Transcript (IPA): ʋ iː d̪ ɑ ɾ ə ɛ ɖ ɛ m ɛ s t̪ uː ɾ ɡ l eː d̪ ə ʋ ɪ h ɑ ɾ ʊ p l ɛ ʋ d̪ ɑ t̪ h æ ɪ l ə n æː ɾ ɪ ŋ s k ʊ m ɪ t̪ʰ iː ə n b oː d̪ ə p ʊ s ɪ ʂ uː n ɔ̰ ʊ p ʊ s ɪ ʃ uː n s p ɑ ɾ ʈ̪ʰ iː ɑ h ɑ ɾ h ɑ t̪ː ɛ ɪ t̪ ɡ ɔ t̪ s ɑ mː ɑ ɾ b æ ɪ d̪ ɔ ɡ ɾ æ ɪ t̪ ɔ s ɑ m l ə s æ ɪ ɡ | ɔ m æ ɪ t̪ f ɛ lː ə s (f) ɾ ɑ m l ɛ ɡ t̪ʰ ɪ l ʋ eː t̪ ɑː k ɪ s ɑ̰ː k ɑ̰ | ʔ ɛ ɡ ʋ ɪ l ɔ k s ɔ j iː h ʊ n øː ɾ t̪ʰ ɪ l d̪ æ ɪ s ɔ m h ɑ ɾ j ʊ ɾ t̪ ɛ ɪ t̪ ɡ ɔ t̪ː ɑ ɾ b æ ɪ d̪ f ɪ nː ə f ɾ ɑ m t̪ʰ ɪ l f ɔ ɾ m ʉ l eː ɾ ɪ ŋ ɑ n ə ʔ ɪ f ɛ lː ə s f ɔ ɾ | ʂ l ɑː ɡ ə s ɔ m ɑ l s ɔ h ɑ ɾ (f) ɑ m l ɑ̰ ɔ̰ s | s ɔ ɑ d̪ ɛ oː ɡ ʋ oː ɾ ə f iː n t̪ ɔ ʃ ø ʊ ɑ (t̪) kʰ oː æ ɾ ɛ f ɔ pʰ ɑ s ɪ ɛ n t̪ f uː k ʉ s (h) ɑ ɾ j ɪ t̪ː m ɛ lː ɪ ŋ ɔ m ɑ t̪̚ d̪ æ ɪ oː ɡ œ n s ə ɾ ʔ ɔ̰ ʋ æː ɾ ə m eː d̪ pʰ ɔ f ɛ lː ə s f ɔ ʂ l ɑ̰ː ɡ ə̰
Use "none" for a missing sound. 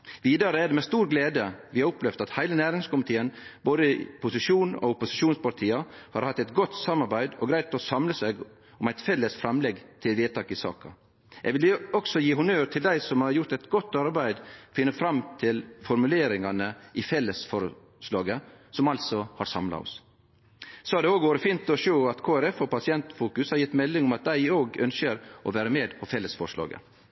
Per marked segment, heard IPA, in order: f, s, t̪, h

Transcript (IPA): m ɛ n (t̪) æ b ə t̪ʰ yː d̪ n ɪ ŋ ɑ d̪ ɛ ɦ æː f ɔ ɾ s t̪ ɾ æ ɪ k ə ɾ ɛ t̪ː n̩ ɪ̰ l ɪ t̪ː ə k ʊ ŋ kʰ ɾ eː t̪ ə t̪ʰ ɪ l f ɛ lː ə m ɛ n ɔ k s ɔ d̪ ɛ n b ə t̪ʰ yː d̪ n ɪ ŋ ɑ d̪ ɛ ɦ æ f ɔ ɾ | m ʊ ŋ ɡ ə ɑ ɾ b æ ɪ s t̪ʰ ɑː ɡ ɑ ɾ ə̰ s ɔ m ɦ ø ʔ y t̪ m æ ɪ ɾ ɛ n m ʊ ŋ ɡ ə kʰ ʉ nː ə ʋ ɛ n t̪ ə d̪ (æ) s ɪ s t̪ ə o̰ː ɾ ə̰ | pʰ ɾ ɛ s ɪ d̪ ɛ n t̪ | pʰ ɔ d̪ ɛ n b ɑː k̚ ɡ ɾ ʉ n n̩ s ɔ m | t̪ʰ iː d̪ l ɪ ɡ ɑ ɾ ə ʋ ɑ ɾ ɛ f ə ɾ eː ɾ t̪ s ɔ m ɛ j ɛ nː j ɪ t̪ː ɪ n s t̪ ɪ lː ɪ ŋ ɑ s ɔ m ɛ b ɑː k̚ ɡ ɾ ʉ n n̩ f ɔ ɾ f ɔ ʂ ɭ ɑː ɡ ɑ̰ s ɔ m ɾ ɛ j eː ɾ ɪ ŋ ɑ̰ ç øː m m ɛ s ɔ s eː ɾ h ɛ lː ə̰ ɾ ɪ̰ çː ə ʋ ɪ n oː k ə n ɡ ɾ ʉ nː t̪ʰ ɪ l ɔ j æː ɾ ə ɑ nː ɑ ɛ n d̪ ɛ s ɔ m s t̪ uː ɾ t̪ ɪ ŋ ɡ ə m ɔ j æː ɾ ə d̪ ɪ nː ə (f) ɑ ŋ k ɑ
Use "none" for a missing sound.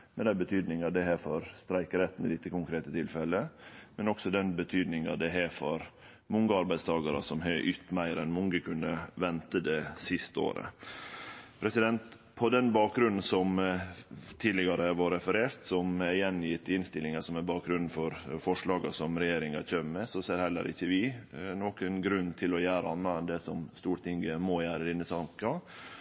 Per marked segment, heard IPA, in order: d̪, ɛ, s

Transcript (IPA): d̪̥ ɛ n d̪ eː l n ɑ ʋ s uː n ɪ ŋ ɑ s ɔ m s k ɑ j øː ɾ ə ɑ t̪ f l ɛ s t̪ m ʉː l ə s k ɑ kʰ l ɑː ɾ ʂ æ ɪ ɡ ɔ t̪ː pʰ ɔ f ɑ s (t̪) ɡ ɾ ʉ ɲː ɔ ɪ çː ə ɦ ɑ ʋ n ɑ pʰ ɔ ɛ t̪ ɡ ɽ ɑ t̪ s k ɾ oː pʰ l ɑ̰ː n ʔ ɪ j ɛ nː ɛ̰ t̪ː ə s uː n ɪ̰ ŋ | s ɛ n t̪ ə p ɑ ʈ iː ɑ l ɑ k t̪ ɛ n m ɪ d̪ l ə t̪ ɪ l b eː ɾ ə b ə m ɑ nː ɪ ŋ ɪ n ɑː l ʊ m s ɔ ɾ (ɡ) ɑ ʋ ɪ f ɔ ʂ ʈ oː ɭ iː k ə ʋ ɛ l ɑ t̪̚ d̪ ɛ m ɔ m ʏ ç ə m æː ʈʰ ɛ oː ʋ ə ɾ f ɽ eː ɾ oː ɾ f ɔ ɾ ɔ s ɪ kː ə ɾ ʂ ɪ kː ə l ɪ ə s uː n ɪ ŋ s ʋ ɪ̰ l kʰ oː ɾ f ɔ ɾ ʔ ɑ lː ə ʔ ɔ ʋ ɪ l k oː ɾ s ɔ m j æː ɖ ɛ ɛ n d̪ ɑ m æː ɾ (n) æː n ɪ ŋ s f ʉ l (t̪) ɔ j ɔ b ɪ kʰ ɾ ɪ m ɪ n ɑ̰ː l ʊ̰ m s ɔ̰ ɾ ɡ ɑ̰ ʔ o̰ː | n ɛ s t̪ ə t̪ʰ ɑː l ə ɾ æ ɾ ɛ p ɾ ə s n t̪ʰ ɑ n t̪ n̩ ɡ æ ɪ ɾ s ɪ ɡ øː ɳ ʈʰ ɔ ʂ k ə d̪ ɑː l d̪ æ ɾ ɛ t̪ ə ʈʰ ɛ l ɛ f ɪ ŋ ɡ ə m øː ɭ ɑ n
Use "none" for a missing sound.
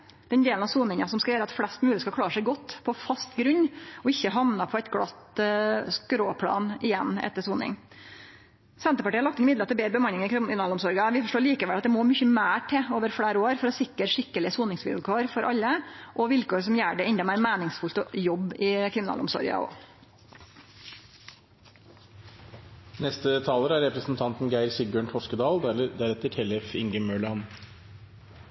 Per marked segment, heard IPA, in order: t̪, ɡ, m, t̪

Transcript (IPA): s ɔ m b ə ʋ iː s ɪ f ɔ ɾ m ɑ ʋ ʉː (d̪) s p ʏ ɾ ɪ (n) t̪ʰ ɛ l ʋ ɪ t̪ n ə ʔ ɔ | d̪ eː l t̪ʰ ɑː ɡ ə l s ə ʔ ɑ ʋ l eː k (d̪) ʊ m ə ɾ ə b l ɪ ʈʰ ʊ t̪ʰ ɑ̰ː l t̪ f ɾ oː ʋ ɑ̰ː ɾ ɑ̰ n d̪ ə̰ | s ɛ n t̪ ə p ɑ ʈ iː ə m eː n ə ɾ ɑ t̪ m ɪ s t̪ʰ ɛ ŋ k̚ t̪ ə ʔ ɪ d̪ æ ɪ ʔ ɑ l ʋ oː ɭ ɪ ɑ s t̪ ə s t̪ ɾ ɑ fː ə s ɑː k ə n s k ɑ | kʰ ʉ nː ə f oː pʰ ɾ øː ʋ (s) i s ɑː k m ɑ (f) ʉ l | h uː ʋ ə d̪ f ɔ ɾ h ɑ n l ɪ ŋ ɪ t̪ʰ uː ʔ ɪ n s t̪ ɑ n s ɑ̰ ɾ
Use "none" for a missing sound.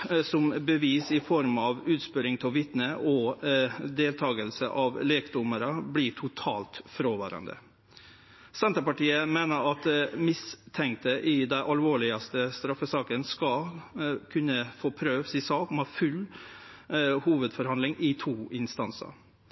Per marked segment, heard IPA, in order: t̪, ŋ, d̪, s, f

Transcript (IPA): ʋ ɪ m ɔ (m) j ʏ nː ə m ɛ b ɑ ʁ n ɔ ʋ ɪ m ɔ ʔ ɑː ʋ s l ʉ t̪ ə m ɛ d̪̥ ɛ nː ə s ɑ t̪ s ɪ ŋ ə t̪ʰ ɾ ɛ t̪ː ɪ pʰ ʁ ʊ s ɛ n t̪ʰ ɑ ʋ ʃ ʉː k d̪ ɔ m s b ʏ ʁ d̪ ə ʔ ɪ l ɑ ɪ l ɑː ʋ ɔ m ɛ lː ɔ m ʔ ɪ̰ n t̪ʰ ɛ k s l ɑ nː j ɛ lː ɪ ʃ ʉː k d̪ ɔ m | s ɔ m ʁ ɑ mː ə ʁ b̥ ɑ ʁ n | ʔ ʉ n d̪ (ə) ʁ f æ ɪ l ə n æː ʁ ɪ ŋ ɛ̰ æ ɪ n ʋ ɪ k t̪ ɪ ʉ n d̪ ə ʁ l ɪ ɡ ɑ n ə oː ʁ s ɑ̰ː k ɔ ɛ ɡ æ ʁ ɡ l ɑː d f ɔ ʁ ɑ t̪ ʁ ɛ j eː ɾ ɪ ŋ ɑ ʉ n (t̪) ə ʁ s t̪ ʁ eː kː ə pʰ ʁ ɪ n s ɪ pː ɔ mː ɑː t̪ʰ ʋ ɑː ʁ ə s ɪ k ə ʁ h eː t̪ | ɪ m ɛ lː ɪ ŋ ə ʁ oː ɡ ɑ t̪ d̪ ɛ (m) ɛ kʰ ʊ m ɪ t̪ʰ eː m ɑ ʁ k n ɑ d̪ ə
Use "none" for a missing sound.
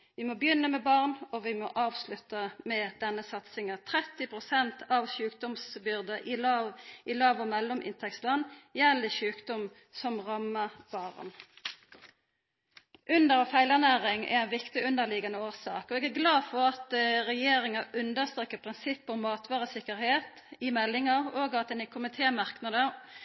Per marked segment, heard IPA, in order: b, ə, d̪, n

